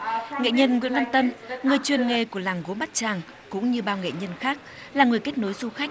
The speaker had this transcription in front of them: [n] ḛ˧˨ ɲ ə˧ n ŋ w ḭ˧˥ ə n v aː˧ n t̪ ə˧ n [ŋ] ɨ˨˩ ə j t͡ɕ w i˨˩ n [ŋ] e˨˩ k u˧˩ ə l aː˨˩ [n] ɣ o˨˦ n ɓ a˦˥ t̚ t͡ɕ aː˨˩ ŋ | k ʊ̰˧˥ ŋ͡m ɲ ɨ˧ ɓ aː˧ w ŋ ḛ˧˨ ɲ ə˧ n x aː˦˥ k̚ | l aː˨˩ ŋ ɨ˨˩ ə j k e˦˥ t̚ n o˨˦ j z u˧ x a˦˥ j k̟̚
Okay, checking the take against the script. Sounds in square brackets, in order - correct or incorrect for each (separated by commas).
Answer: incorrect, correct, correct, incorrect